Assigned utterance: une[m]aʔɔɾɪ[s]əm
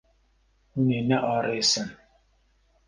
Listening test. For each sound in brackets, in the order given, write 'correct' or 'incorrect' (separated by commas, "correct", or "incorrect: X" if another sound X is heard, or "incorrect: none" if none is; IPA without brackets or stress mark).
incorrect: n, correct